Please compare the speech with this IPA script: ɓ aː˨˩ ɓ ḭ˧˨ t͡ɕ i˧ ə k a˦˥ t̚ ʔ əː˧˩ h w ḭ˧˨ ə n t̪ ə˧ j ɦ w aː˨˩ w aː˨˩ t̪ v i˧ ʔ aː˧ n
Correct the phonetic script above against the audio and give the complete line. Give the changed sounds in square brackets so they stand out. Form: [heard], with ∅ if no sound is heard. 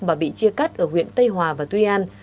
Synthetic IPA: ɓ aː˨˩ ɓ ḭ˧˨ t͡ɕ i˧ ə k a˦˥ t̚ ʔ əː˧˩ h w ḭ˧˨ ə n t̪ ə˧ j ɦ w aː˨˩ [v] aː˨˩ t̪ [w] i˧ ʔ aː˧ n